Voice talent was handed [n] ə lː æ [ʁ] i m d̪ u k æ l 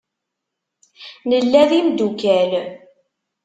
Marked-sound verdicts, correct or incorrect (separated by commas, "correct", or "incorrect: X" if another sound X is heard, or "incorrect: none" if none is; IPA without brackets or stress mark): correct, incorrect: ð